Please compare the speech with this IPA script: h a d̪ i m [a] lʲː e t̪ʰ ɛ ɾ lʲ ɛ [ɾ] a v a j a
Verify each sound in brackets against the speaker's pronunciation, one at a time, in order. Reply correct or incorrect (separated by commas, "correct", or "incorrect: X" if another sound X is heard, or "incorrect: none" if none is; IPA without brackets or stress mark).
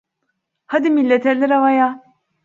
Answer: incorrect: i, correct